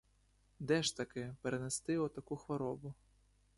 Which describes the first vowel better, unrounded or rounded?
unrounded